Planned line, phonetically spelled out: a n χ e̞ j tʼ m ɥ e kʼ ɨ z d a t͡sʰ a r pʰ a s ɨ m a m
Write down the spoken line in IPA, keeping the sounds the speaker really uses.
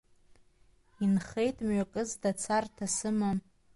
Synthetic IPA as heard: i n χ e̞ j tʼ m ɥ a kʼ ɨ z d a t͡sʰ a r tʰ a s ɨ m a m

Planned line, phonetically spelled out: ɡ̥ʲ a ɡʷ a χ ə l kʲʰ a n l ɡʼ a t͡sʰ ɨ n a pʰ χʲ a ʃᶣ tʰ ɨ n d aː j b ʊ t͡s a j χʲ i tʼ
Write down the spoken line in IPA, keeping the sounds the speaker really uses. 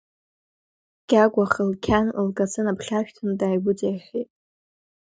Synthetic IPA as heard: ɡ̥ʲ a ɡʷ a χ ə l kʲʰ a n l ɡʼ a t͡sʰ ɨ n a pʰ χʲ a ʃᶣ tʰ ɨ n d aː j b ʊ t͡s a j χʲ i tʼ

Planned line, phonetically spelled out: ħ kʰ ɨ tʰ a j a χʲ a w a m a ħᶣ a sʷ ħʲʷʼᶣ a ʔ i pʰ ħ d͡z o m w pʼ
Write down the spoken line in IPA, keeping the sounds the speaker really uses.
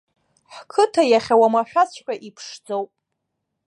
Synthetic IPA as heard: ħ kʰ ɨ tʰ a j a χʲ a w a m a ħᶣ a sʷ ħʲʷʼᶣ a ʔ i pʰ ʂ d͡z o w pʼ

